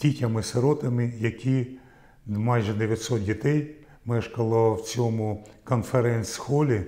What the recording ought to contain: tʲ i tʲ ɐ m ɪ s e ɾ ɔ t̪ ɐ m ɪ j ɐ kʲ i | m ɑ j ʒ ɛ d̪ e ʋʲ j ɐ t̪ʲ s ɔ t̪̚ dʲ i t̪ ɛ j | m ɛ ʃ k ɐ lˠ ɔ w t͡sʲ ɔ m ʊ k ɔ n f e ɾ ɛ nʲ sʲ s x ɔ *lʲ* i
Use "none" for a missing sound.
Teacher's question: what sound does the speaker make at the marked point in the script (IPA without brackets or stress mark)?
lʲ